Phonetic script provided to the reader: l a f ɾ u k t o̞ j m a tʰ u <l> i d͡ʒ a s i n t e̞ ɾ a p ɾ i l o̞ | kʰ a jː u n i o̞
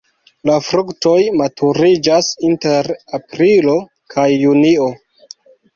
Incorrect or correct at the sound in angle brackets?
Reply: incorrect: ɾ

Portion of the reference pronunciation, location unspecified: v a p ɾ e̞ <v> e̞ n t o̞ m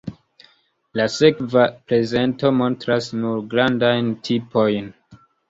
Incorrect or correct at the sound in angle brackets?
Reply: incorrect: z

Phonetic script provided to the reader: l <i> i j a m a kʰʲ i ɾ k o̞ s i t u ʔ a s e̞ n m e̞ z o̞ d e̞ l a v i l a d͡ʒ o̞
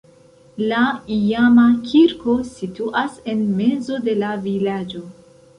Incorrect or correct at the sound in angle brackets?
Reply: incorrect: a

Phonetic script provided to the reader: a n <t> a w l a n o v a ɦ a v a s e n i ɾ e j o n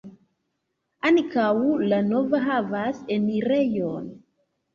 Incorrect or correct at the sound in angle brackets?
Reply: incorrect: k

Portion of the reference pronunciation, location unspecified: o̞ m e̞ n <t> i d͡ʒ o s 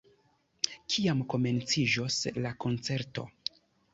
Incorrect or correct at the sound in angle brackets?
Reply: incorrect: t͡s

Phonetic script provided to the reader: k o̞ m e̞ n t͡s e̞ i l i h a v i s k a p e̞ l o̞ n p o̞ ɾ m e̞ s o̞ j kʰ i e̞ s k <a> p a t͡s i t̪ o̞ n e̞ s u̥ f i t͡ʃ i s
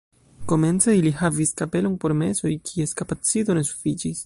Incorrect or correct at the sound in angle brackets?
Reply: correct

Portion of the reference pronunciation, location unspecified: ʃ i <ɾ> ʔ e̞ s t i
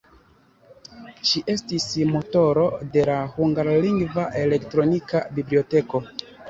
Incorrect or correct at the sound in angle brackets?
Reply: incorrect: none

